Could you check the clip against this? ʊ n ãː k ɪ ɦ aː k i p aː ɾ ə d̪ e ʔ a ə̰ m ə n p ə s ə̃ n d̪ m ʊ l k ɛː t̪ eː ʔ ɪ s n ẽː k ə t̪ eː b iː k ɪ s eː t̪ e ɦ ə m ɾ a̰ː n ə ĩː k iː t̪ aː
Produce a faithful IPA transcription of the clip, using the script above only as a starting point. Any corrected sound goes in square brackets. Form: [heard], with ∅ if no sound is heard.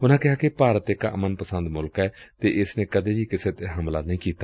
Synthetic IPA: ʊ n ãː k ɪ ɦ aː k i p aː ɾ ə [t̪] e [k] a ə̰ m ə n p ə s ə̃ n d̪ m ʊ l k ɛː t̪ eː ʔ ɪ s n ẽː k ə [d̪] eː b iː k ɪ s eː t̪ e ɦ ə m [l] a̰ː n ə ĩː k iː t̪ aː